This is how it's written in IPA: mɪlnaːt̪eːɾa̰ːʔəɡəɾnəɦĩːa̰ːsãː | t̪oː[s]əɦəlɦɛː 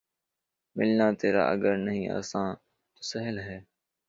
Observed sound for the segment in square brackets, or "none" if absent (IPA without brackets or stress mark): s